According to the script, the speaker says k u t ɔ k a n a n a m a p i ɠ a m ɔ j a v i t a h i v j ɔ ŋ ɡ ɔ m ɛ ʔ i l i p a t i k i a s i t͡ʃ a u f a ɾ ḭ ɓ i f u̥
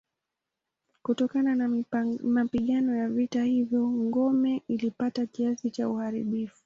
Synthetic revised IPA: k u t ɔ k a n a n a m a p i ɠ a n ɔ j a v i t a h i v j ɔ ŋ ɡ ɔ m ɛ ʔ i l i p a t a k i a s i t͡ʃ a u h a ɾ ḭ ɓ i f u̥